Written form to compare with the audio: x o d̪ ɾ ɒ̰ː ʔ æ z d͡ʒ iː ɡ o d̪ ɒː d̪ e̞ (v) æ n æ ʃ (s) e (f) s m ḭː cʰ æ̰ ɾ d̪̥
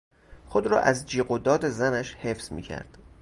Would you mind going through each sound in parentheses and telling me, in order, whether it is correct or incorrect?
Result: incorrect: z, incorrect: h, correct

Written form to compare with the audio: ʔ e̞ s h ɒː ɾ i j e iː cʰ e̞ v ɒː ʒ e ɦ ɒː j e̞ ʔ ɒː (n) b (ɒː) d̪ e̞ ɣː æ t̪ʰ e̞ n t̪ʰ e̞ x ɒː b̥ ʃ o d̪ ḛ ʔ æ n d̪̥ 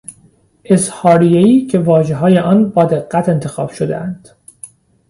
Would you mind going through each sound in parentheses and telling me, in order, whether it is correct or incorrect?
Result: correct, correct

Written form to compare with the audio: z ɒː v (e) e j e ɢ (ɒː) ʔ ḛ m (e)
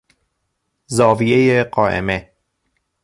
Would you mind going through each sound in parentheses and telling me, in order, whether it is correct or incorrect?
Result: incorrect: i, correct, correct

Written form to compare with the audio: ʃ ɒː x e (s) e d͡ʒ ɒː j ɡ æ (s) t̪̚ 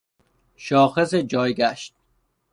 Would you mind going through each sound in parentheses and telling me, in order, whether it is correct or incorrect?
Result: correct, incorrect: ʃ

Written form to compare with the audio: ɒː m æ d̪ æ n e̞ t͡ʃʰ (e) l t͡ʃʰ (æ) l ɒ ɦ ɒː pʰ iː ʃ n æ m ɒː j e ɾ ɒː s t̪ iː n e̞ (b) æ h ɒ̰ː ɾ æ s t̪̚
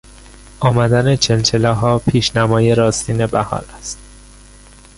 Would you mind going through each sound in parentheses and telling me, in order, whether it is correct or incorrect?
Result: correct, incorrect: e, correct

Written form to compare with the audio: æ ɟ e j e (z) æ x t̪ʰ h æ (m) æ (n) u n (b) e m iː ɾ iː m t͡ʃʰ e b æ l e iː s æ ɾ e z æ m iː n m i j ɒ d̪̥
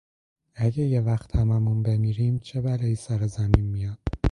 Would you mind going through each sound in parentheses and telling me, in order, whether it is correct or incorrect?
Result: incorrect: v, correct, incorrect: m, correct

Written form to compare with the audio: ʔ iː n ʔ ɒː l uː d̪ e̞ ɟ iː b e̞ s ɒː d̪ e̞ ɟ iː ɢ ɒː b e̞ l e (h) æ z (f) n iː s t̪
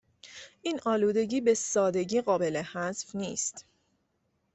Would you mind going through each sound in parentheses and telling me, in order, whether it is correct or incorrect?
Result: correct, correct

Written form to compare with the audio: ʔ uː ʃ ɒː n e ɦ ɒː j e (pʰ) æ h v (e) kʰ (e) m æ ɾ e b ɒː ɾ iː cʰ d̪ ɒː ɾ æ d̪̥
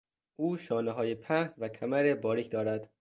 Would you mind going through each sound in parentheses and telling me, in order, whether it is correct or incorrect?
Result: correct, incorrect: æ, incorrect: æ

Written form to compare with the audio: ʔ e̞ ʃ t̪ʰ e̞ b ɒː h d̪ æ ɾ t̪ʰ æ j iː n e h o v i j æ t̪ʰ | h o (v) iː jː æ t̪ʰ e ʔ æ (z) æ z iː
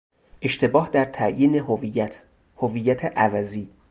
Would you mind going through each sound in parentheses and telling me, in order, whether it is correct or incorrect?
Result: correct, incorrect: v

